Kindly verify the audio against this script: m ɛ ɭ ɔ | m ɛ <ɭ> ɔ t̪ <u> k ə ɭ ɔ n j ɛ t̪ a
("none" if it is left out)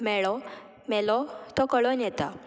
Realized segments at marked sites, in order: l, ɔ

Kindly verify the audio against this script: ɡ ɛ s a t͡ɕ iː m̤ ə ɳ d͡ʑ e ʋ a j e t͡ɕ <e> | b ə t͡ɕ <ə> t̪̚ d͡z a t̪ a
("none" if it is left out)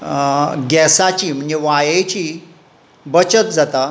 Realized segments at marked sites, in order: i, ə

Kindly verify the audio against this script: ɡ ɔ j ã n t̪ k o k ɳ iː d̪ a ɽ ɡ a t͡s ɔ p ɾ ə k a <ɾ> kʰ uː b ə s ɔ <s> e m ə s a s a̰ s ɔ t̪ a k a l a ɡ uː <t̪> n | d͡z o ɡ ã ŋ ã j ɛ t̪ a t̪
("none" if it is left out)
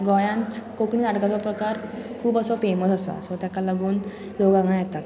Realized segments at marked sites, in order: ɾ, f, none

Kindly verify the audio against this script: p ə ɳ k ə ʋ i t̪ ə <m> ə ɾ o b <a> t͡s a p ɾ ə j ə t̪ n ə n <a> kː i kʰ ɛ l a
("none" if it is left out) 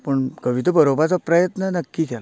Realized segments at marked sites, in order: b, a, ə

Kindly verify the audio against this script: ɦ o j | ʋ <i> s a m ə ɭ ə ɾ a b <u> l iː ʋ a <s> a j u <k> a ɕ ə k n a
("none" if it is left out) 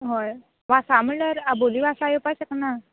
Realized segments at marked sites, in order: a, o, s, p

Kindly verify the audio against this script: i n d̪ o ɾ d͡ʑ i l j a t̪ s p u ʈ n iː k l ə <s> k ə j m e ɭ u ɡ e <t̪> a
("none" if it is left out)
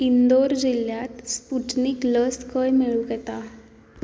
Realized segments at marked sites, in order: s, t̪

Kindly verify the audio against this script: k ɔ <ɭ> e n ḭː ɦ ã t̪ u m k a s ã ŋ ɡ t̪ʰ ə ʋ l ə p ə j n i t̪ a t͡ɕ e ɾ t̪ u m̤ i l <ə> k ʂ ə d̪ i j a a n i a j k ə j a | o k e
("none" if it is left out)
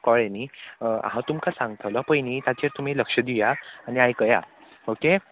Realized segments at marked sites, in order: ɭ, ə

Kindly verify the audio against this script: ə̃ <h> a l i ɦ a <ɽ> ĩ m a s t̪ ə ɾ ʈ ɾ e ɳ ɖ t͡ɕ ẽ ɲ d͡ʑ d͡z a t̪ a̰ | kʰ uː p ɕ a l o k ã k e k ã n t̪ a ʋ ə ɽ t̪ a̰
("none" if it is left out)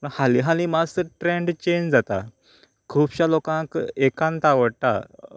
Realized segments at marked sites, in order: h, l

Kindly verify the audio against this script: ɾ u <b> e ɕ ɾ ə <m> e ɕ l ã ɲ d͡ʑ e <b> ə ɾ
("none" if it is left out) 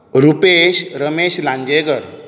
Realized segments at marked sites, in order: p, m, ɡ

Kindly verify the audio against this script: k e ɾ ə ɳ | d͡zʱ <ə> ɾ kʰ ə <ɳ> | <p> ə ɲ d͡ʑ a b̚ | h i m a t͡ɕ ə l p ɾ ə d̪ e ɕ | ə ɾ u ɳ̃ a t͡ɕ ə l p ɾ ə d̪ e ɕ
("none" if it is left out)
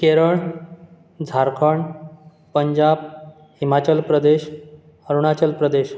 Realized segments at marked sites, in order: a, ɳ, p

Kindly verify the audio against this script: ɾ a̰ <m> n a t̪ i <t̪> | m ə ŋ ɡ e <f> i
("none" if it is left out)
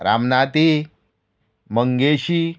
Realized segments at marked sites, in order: m, none, ɕ

